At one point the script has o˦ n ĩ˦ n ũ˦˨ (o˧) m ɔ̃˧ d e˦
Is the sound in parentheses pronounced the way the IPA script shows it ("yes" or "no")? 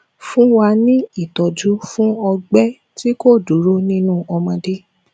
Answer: no